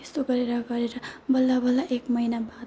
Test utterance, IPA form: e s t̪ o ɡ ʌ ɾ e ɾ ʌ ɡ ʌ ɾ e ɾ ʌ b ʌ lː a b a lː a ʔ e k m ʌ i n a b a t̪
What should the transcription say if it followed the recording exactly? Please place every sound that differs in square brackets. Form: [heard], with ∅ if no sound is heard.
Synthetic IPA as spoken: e s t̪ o ɡ ʌ ɾ e ɾ ʌ ɡ ʌ ɾ e ɾ ʌ b ʌ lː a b [ʌ] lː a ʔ e k m ʌ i n a b a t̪

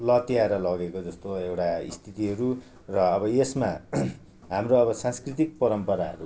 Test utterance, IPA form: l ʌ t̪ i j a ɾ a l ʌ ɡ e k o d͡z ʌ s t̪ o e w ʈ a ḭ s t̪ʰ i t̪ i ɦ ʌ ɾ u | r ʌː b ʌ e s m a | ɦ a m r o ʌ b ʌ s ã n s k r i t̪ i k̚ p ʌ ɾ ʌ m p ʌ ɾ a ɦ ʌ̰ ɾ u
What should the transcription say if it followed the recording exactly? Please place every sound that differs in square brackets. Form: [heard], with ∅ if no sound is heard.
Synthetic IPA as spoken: l ʌ t̪ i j a ɾ [ʌ] l ʌ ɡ e k o d͡z ʌ s t̪ o e w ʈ a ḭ s t̪ʰ i t̪ i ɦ ʌ ɾ u | r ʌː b ʌ e s m a | ɦ a m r o ʌ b ʌ s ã n s k r i t̪ i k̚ p ʌ ɾ ʌ m p ʌ ɾ a ɦ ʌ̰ ɾ u

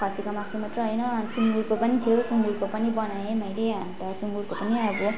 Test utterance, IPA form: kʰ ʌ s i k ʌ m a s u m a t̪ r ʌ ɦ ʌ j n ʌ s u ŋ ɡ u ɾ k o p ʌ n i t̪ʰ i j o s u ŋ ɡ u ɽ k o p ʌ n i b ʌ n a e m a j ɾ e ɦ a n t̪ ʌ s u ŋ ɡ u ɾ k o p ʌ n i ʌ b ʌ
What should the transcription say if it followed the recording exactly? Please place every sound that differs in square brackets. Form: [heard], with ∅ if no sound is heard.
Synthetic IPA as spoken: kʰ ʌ s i k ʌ m a s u m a t̪ r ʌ ɦ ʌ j n ʌ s u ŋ ɡ u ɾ k o p ʌ n i t̪ʰ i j o s u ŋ ɡ u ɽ k o p ʌ n i b ʌ n a e m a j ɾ e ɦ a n t̪ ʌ s u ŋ ɡ u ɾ k o p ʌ n i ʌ b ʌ

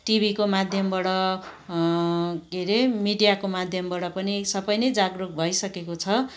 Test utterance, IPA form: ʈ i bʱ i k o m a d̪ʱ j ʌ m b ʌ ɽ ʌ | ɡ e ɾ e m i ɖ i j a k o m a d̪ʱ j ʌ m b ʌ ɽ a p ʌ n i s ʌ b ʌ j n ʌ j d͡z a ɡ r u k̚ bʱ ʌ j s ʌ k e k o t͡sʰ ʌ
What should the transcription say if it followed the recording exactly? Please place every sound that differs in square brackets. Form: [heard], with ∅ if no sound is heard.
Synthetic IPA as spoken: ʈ i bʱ i k o m a d̪ʱ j ʌ m b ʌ ɽ ʌ | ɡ e ɾ e m i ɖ i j a k o m a d̪ʱ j ʌ m b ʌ ɽ [ʌ] p ʌ n i s ʌ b ʌ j n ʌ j d͡z a ɡ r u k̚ bʱ ʌ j s ʌ k e k o t͡sʰ ʌ

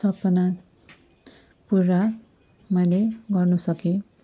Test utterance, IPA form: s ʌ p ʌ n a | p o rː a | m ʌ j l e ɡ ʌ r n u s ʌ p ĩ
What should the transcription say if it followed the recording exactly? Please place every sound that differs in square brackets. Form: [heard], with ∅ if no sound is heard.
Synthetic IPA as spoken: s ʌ p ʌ n a | p [u] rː a | m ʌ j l e ɡ ʌ r n u s ʌ [k] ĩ

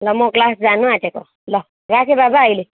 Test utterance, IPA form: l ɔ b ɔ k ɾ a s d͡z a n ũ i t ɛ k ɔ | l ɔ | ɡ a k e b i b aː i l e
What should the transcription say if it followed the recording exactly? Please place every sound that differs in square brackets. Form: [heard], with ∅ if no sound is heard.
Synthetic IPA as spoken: l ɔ [m] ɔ k [l] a s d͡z a n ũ [a] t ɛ k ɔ | l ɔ | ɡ a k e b [a] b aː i l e

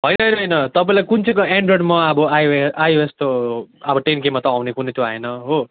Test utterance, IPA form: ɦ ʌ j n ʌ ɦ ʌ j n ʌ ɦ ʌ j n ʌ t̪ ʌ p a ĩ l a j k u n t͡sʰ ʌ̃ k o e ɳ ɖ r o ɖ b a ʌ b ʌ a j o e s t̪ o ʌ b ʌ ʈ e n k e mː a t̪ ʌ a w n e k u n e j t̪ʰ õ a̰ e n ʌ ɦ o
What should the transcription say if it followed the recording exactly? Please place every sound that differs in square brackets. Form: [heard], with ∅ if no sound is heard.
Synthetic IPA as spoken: ɦ ʌ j n ʌ ɦ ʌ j n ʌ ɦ ʌ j n ʌ t̪ ʌ p a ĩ l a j k u n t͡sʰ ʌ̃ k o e ɳ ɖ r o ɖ [m] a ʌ b ʌ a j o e s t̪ o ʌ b ʌ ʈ e n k e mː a t̪ ʌ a w n e k u n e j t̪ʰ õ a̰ e n ʌ ɦ o

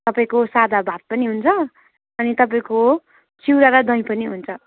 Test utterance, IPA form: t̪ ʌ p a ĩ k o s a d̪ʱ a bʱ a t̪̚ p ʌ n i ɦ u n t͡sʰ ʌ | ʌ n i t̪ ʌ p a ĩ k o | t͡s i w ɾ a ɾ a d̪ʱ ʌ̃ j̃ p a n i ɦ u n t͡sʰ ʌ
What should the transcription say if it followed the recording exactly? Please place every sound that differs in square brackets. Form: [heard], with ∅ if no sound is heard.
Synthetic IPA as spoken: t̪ ʌ p a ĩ k o s a d̪ʱ a bʱ a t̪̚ p ʌ n i ɦ u n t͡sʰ ʌ | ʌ n i t̪ ʌ p a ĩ k o | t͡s i w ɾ a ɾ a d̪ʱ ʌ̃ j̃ p [ʌ] n i ɦ u n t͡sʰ ʌ

